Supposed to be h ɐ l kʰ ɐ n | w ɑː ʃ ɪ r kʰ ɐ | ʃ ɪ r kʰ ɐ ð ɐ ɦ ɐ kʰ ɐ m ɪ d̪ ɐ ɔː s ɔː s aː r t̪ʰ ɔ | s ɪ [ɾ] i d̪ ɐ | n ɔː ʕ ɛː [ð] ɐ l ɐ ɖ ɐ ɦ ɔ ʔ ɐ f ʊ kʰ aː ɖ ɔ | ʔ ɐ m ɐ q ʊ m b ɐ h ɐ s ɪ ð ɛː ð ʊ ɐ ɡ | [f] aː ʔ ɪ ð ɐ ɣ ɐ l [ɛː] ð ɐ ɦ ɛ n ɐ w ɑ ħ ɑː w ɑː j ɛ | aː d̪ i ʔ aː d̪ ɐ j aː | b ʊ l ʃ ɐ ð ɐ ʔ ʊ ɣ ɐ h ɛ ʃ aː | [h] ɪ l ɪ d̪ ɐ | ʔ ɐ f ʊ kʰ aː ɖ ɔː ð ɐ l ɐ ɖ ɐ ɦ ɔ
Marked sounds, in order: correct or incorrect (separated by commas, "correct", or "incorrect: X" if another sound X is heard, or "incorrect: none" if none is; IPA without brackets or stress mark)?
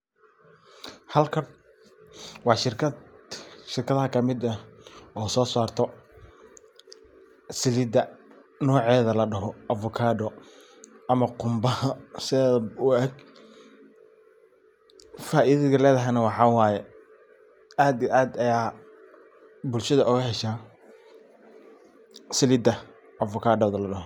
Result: incorrect: l, correct, correct, correct, incorrect: s